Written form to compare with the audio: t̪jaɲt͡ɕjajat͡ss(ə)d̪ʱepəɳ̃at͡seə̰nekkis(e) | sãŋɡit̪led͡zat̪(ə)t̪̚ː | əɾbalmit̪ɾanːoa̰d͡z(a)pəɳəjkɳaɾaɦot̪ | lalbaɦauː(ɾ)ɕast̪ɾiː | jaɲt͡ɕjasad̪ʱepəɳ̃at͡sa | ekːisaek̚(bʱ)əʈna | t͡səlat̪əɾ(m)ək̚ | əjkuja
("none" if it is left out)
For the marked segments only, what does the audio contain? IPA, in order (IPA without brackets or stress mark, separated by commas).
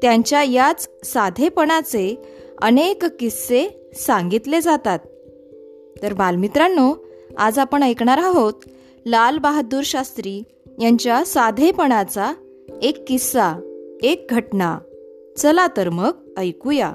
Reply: a, e, a, a, ɾ, ɡʱ, m